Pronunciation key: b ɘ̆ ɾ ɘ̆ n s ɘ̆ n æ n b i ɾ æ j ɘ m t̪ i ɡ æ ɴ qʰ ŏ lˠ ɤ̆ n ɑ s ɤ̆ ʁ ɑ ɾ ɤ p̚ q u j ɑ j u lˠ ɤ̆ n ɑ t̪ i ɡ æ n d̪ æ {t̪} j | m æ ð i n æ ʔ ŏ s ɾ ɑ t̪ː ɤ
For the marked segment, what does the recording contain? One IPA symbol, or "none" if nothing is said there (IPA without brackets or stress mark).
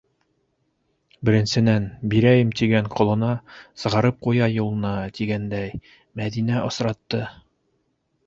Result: none